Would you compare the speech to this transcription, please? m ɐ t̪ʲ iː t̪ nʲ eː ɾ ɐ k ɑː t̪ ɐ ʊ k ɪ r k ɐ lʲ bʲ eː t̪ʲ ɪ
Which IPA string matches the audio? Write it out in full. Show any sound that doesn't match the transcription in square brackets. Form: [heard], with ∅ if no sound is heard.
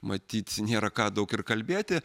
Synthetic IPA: m ɐ t̪ʲ iː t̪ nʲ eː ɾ ɐ k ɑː [d̪] ɐ ʊ k ɪ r k ɐ lʲ bʲ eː t̪ʲ ɪ